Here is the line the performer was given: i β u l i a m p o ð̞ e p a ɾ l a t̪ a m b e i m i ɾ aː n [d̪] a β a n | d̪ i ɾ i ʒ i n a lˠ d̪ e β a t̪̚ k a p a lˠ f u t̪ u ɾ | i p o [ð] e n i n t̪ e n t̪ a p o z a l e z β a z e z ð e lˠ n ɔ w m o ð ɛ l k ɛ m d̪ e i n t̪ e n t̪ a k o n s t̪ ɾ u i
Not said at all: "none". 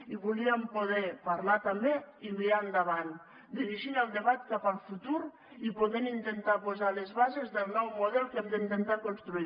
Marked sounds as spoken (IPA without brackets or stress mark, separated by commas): d̪, ð